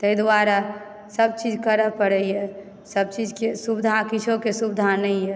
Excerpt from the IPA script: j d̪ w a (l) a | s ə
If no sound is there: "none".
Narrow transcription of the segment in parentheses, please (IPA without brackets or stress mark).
ɾ